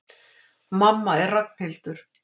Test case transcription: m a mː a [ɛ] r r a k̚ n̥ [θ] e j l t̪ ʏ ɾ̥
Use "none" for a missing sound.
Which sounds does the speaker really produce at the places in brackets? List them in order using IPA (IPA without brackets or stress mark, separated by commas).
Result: ɛ, h